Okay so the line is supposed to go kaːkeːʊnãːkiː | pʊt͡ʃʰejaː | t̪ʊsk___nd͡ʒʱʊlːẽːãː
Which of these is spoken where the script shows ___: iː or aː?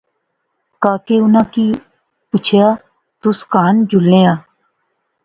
aː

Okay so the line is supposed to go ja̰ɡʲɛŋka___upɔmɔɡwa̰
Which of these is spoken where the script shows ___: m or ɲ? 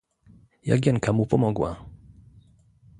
m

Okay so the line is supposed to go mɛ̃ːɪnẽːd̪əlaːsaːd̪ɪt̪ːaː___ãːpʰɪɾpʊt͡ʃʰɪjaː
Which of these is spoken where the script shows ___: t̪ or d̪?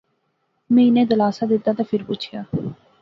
t̪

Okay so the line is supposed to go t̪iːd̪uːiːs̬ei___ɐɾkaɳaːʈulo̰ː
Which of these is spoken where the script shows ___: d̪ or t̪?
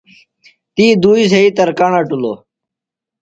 t̪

